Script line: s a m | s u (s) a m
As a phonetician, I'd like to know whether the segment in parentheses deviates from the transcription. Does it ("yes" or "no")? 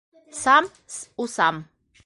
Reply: no